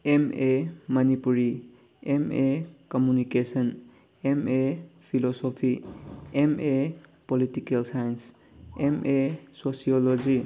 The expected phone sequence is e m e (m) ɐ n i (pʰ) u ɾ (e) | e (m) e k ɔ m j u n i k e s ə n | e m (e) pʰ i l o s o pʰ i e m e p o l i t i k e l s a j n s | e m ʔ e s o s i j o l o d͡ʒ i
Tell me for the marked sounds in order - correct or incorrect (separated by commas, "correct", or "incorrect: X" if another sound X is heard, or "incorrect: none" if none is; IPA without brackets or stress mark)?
correct, incorrect: p, incorrect: i, correct, correct